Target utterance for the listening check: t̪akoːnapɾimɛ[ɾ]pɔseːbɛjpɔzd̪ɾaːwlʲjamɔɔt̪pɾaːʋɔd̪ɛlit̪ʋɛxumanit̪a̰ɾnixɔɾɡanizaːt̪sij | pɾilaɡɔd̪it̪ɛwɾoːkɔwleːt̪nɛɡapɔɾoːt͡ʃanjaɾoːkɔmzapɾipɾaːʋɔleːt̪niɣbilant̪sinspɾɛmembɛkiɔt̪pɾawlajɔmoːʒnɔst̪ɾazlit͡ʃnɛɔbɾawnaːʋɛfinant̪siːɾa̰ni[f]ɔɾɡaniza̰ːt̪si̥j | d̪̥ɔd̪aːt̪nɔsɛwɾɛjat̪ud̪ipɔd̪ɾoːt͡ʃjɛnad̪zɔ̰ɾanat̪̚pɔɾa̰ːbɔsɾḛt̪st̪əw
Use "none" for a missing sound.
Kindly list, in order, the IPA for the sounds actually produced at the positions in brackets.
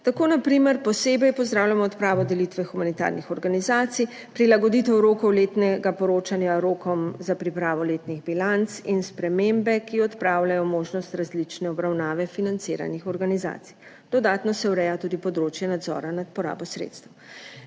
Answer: ɾ, x

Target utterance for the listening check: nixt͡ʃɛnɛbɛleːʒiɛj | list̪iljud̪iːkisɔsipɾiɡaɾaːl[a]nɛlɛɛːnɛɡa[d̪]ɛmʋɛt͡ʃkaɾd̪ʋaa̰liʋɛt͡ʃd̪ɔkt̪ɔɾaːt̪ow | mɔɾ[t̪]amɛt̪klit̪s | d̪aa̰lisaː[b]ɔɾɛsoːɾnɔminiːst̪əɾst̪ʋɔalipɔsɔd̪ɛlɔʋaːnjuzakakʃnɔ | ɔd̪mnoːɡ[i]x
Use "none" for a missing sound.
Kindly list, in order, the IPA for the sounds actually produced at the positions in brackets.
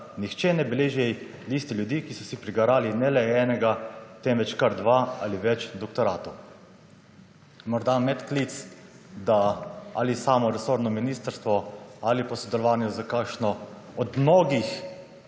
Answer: i, t̪, d̪, m, i

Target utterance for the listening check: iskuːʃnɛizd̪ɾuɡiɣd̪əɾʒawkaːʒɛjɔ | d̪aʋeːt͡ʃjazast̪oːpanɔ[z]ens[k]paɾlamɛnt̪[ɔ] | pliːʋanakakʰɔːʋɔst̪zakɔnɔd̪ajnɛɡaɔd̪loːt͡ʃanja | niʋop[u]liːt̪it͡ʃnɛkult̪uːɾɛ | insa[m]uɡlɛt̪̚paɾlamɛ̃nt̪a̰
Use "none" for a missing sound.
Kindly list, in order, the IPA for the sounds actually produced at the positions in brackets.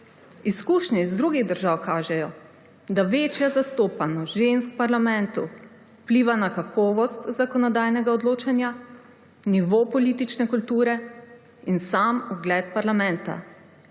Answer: ʒ, k, u, ɔ, m

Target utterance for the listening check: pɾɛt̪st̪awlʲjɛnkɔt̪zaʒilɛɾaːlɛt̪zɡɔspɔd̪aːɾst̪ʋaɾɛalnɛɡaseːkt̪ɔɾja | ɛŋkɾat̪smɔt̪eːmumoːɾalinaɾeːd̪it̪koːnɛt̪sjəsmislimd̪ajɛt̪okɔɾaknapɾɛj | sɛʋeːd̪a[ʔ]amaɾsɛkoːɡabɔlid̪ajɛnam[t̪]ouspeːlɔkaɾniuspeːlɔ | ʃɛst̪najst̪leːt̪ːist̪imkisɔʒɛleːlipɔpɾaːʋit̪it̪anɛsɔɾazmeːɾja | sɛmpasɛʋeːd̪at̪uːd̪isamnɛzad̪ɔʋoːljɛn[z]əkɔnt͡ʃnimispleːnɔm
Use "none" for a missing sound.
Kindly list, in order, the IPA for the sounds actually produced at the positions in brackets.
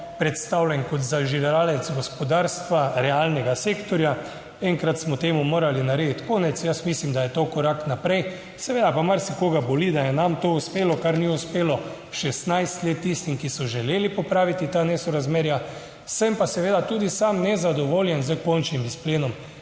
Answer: p, t̪, z

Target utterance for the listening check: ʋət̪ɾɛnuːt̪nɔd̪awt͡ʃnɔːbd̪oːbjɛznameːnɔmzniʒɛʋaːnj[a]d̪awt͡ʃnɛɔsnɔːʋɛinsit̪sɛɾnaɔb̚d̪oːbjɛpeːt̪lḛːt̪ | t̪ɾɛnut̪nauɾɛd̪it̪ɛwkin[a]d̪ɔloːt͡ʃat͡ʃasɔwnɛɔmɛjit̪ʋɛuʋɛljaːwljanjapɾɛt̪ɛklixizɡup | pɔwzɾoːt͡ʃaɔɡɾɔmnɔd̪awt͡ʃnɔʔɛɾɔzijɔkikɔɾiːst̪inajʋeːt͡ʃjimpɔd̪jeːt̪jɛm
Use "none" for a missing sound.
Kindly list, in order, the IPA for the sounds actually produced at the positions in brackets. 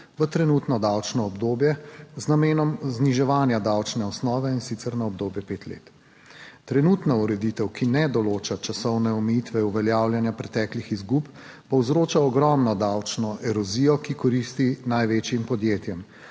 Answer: a, ɛ

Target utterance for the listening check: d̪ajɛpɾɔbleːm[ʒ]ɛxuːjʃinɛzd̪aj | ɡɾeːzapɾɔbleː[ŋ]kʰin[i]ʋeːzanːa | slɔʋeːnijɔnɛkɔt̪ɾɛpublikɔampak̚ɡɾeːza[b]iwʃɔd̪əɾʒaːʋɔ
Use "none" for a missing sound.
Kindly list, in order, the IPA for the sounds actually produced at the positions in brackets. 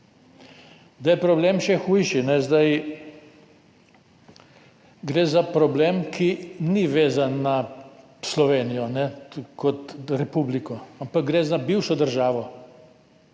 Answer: ʃ, m, i, b

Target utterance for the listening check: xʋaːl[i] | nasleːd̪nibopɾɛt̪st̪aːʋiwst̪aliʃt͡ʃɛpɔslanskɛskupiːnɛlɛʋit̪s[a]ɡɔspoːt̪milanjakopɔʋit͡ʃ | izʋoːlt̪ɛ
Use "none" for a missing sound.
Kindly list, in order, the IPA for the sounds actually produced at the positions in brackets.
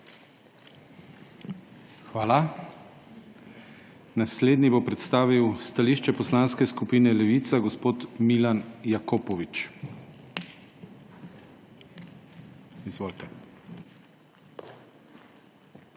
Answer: a, a

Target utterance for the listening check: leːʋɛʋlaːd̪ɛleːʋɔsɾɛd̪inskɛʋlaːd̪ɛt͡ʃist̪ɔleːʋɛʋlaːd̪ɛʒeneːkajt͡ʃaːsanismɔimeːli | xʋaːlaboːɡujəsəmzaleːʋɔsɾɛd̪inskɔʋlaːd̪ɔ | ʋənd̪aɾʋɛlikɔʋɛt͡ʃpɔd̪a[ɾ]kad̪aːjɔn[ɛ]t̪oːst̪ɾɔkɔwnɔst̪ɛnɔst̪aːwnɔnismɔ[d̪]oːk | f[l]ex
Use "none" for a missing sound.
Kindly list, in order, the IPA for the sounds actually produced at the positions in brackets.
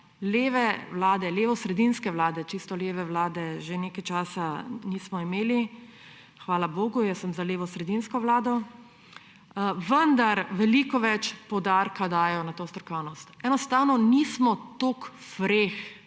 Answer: ɾ, a, t̪, ɾ

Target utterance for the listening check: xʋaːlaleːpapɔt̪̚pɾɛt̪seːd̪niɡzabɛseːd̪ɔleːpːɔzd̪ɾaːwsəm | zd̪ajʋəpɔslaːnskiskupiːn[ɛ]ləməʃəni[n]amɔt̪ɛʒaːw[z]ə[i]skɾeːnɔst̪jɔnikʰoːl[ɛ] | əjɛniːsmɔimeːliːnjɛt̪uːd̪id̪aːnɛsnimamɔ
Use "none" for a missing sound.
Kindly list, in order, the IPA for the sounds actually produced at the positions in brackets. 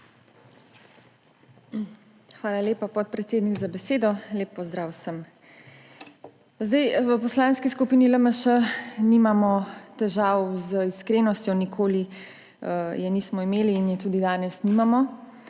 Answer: i, m, z, i, i

